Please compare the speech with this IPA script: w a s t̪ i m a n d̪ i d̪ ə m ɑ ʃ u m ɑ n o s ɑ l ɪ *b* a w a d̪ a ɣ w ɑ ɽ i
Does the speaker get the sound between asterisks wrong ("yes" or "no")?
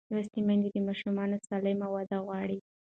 yes